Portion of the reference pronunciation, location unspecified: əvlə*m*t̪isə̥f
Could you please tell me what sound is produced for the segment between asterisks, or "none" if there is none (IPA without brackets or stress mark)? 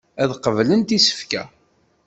n